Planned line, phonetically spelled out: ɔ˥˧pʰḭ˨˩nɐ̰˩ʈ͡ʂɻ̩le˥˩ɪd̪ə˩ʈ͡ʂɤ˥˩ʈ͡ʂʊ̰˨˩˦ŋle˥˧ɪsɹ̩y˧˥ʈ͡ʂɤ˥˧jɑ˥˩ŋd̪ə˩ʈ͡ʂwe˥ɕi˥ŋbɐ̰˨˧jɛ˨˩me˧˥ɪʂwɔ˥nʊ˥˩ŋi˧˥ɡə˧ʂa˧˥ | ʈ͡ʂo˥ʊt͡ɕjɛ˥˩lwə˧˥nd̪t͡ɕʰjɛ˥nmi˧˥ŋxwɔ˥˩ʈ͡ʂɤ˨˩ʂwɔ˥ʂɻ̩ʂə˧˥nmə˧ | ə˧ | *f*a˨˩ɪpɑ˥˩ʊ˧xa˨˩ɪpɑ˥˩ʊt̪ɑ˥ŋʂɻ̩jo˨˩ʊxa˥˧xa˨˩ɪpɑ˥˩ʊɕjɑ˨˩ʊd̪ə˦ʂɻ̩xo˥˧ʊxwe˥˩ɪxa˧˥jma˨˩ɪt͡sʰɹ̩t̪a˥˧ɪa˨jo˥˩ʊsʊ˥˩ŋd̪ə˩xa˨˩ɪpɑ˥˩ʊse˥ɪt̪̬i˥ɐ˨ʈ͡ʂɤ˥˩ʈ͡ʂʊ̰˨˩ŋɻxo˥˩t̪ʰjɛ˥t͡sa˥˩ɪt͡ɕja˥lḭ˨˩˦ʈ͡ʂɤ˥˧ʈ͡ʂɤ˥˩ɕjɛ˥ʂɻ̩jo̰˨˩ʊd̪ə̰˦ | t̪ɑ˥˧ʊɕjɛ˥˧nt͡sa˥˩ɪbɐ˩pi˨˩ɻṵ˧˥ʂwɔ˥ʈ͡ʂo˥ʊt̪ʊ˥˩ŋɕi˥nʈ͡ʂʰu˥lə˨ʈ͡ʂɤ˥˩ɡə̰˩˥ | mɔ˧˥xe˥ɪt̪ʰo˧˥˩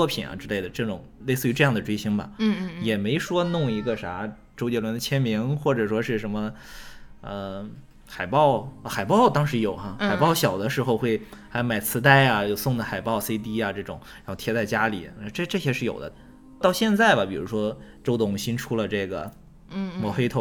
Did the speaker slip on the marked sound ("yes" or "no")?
yes